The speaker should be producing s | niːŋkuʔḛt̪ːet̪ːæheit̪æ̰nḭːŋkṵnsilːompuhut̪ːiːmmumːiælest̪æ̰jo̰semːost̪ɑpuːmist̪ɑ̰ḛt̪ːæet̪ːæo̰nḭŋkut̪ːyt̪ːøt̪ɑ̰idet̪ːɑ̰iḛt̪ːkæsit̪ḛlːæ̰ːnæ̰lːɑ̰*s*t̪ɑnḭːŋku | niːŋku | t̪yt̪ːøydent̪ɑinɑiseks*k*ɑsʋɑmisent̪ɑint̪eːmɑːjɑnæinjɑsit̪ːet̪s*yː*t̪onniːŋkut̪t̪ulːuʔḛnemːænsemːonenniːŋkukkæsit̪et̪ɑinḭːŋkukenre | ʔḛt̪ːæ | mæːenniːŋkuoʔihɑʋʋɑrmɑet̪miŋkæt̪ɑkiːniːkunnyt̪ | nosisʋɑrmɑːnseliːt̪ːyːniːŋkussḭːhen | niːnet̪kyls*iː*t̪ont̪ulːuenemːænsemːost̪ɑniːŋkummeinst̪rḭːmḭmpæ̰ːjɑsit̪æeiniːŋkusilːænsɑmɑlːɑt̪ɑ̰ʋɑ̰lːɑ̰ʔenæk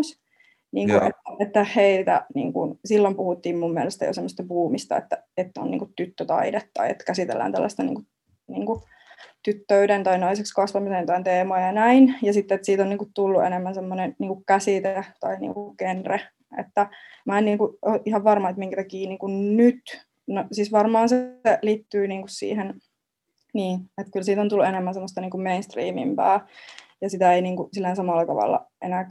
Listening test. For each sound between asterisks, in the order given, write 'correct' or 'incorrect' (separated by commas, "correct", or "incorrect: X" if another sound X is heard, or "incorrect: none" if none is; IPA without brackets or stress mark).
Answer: correct, correct, incorrect: iː, correct